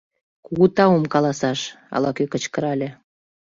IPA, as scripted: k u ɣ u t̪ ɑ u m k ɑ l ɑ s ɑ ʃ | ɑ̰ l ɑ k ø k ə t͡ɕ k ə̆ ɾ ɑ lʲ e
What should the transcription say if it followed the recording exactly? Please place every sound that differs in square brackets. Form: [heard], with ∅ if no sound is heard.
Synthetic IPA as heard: k u ɣ u t̪ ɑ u m k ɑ l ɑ s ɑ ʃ | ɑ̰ l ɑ k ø k ə t͡ɕ k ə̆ ɾ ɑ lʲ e